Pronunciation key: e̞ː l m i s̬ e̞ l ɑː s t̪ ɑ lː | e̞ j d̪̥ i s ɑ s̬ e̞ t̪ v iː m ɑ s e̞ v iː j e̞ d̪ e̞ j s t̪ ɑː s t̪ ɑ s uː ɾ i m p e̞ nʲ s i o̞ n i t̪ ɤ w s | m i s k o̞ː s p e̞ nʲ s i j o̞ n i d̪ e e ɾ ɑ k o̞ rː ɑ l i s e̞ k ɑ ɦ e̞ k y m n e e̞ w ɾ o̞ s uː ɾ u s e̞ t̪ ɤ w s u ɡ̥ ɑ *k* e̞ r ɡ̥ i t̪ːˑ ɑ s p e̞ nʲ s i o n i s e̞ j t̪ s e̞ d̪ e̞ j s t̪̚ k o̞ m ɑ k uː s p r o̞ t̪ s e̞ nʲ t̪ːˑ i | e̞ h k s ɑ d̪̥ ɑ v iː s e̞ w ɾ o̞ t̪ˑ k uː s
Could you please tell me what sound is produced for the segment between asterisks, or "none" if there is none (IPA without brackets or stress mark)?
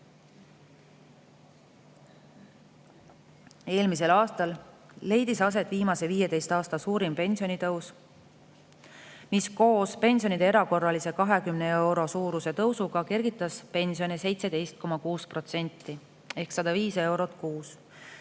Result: k